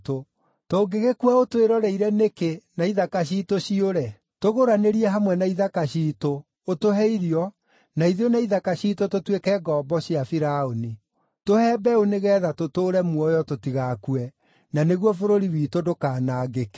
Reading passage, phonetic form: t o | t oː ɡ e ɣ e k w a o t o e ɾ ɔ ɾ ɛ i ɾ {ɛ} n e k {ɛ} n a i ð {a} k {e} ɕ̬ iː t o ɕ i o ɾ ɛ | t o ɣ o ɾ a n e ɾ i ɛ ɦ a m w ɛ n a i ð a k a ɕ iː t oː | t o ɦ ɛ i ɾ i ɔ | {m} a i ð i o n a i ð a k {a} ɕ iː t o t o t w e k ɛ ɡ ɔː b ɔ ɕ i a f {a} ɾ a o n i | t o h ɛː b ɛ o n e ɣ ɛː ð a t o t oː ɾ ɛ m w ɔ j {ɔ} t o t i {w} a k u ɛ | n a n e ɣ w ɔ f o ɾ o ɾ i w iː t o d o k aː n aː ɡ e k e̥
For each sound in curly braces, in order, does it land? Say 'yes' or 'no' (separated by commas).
yes, no, yes, no, no, yes, no, yes, no